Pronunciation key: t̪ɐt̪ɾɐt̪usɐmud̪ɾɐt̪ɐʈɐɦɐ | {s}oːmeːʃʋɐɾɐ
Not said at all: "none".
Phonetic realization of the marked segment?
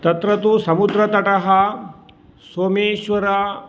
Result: s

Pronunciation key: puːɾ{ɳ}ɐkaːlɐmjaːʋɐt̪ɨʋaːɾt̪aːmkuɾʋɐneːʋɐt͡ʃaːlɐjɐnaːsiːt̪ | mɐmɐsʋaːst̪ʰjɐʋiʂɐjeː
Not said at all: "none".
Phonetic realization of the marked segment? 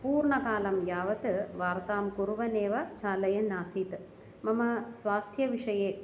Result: ɳ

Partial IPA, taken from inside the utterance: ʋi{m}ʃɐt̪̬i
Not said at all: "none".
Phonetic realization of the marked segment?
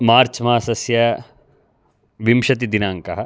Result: m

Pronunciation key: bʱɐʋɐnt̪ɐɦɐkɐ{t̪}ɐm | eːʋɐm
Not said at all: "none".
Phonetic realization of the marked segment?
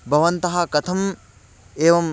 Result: t̪ʰ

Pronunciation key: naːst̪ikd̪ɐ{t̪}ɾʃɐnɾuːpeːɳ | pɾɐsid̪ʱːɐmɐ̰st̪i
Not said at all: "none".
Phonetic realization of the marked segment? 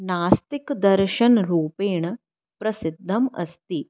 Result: none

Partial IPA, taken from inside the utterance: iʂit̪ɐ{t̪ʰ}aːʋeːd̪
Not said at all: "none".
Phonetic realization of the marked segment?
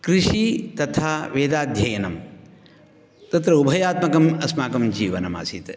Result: t̪ʰ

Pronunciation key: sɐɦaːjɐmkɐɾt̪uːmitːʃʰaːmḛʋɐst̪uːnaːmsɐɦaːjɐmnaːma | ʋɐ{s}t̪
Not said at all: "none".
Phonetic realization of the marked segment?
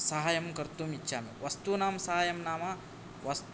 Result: s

